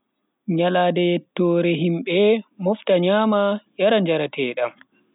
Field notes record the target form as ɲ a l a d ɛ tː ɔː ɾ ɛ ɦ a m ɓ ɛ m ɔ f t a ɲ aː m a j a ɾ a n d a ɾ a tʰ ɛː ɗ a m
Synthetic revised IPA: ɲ a l a d ɛ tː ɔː ɾ ɛ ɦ i m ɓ ɛ m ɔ f t a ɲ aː m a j a ɾ a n d͡ʒ a ɾ a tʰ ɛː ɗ a m